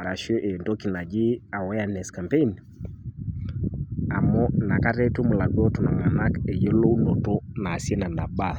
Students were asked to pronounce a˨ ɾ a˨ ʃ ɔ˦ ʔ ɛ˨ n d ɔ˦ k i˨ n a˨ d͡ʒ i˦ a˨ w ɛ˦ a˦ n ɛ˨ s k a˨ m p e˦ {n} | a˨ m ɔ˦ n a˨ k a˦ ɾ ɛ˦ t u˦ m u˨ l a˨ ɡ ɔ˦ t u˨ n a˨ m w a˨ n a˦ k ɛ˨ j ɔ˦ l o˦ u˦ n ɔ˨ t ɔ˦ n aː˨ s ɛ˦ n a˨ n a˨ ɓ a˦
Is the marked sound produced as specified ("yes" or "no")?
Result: yes